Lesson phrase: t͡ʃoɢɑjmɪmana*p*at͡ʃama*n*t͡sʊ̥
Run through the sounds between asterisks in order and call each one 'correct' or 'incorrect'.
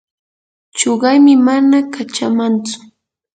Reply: incorrect: k, correct

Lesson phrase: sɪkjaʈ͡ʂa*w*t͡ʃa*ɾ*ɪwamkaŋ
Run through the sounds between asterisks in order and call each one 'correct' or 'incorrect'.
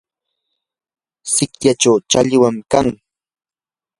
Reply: correct, incorrect: ʎ

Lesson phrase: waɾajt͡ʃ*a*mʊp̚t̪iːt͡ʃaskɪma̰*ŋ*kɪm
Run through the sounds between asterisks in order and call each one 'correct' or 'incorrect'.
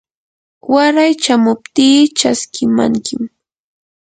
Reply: correct, correct

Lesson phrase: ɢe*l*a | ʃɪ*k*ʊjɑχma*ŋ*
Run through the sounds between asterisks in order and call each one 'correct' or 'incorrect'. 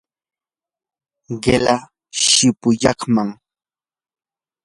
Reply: correct, incorrect: p, correct

